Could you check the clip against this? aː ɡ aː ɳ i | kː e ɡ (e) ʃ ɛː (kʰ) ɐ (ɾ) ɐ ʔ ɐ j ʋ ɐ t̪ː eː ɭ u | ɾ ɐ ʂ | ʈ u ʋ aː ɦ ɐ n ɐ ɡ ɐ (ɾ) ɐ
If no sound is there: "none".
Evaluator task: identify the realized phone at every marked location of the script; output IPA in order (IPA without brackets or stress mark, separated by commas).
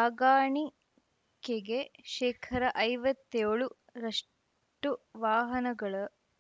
e, kʰ, ɾ, ɭ